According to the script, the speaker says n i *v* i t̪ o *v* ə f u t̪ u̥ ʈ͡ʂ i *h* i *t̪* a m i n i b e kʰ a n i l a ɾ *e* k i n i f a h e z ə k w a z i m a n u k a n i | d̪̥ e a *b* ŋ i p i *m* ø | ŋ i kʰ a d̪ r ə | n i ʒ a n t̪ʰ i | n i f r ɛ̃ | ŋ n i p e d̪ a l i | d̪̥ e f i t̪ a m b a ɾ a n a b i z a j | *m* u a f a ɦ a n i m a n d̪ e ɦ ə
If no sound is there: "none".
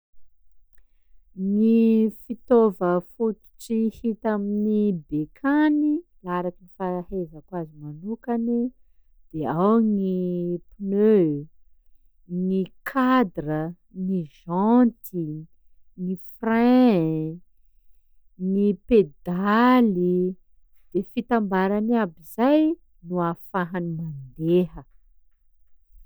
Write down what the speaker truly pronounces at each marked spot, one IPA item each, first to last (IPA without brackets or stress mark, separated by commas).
f, v, h, t̪, a, w, n, n